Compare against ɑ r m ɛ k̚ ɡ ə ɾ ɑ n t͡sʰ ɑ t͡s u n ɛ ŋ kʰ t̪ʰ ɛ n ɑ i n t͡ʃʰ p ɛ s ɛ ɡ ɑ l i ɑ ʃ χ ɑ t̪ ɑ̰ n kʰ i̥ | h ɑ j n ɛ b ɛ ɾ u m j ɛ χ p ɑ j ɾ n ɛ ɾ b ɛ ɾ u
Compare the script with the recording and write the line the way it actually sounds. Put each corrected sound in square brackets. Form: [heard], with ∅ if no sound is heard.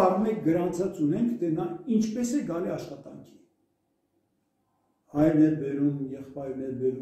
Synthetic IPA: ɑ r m ɛ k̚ ɡ ə ɾ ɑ n t͡sʰ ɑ t͡s u n ɛ ŋ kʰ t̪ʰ ɛ n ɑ i n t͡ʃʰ p ɛ s ɛ ɡ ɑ l i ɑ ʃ χ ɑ t̪ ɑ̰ [ŋ] kʰ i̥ | h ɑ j n ɛ b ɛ ɾ u m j ɛ χ p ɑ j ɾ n ɛ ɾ b ɛ ɾ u